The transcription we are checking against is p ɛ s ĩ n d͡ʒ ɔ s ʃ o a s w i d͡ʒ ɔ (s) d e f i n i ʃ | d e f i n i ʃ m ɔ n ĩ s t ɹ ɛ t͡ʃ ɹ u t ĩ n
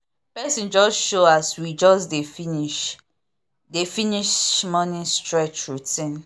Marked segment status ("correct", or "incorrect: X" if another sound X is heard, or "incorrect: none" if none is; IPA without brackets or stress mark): correct